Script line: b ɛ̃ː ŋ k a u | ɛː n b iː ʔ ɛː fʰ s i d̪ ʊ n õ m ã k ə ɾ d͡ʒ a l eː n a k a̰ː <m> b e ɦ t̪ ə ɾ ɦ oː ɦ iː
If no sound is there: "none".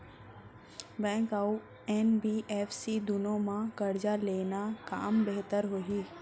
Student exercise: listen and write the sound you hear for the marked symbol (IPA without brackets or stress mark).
m